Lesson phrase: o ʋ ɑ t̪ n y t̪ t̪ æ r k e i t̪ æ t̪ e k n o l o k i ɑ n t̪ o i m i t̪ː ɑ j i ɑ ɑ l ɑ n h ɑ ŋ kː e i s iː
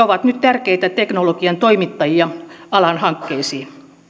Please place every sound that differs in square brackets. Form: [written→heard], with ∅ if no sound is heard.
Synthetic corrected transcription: o ʋ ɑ t̪ n y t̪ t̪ æ r k e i t̪ æ t̪ e k n o l o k i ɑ n t̪ o i m i t̪ː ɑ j i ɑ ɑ l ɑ n h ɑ ŋ kː e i s iː